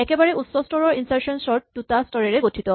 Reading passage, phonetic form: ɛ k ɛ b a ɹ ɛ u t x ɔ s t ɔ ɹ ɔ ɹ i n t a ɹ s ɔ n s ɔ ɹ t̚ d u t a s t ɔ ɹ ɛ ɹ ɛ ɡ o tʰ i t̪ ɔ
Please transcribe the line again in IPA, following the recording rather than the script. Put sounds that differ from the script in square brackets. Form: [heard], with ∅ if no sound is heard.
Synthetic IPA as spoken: ɛ k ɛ b a ɹ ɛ u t [s] ɔ s t ɔ ɹ ɔ ɹ i n [s] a ɹ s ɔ n s ɔ ɹ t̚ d u t a s t ɔ ɹ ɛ ɹ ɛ ɡ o tʰ i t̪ ɔ